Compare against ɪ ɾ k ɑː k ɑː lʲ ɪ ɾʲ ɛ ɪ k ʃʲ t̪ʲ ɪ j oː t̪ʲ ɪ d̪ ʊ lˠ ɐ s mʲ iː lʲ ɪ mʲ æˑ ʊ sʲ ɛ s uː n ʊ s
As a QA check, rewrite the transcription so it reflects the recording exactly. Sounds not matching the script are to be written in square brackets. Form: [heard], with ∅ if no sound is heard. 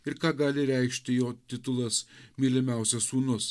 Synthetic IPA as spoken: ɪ ɾ k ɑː [ɡ] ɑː lʲ ɪ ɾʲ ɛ ɪ k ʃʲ t̪ʲ ɪ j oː t̪ʲ ɪ [t̪] ʊ lˠ ɐ s mʲ iː lʲ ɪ mʲ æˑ ʊ sʲ ɛ s uː n ʊ s